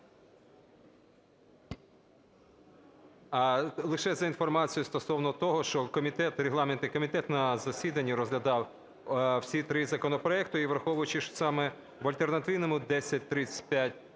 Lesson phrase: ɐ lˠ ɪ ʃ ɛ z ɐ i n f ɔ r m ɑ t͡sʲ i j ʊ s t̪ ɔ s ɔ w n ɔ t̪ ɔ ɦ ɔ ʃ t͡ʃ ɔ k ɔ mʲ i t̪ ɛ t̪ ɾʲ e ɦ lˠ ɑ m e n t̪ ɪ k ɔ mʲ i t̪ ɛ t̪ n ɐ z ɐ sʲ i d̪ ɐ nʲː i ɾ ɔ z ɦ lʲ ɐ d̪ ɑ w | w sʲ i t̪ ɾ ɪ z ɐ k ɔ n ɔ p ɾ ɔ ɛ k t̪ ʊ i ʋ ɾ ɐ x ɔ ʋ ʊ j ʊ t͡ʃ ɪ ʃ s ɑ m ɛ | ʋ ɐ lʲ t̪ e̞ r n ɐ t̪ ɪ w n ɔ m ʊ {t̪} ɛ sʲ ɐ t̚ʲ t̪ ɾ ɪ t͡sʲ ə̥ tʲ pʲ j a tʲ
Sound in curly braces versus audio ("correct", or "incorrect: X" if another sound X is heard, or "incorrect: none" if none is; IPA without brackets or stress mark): incorrect: d̪